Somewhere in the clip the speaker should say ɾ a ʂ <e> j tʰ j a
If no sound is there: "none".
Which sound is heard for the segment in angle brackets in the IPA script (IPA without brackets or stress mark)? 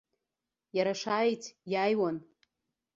a